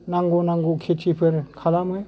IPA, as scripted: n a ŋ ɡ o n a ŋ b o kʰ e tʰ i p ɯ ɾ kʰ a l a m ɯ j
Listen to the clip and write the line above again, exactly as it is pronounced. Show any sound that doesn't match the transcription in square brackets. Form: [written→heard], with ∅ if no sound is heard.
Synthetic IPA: n a ŋ ɡ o n a ŋ [b→ɡ] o kʰ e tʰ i [p→pʰ] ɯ ɾ kʰ a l a m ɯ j